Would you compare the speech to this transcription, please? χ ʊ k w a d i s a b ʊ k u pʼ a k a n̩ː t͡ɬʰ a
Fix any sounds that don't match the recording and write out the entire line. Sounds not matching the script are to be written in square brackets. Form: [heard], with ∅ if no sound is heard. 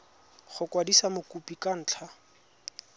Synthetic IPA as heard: χ ʊ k w a d i s a [m] ʊ k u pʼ [i] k a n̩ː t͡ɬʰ a